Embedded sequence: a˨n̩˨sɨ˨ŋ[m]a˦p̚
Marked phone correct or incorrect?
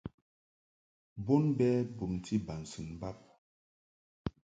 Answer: incorrect